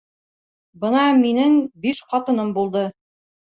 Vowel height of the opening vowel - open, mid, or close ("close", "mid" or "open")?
mid